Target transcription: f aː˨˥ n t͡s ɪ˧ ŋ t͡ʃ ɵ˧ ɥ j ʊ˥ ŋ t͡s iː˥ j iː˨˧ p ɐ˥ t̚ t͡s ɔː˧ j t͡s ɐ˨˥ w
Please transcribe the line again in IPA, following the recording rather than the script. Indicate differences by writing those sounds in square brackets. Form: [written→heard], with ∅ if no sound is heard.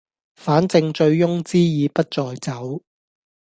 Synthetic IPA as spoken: f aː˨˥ n t͡s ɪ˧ ŋ t͡ʃ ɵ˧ ɥ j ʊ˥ ŋ t͡s iː˥ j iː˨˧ p ɐ˥ t̚ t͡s ɔː˧ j t͡s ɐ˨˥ w